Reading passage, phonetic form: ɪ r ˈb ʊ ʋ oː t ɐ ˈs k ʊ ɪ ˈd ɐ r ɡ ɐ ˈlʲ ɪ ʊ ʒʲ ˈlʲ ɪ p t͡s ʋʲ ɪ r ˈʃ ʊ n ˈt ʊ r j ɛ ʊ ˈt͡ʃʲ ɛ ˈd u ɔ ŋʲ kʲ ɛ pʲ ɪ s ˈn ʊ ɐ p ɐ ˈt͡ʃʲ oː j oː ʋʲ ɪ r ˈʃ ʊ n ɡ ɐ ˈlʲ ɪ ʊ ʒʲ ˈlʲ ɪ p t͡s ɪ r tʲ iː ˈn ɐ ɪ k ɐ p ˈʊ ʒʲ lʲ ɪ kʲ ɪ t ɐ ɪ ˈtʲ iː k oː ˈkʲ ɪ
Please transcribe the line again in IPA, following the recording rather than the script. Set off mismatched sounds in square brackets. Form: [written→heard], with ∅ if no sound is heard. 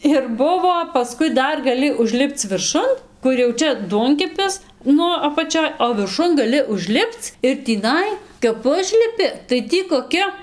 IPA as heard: ɪ r ˈb ʊ ʋ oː [t→p] ɐ ˈs k ʊ ɪ ˈd ɐ r ɡ ɐ ˈlʲ ɪ ʊ ʒʲ ˈlʲ ɪ p t͡s ʋʲ ɪ r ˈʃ ʊ n [ˈt→ˈk] ʊ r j ɛ ʊ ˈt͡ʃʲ ɛ ˈd u ɔ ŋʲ kʲ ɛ pʲ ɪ s ˈn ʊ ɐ p ɐ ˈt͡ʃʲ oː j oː ʋʲ ɪ r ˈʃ ʊ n ɡ ɐ ˈlʲ ɪ ʊ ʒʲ ˈlʲ ɪ p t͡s ɪ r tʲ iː ˈn ɐ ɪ k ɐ p ˈʊ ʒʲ lʲ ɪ [kʲ→pʲ] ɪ t ɐ ɪ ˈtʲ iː k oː ˈkʲ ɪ